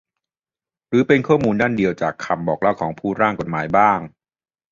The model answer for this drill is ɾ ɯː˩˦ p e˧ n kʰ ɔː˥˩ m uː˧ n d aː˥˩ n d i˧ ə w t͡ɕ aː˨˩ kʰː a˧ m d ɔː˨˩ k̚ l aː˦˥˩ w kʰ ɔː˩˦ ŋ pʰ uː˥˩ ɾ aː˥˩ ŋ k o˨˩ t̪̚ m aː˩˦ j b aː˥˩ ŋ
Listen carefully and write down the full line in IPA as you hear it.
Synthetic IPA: ɾ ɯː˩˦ p e˧ n kʰ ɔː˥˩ m uː˧ n d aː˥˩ n d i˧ ə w t͡ɕ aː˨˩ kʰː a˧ m b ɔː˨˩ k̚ l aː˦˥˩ w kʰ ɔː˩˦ ŋ pʰ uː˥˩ ɾ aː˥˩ ŋ k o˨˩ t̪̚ m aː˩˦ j b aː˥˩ ŋ